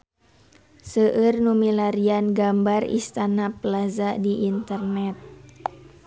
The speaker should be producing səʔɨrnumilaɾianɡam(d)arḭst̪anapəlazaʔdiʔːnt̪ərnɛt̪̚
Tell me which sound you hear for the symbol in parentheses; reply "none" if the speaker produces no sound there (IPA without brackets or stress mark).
b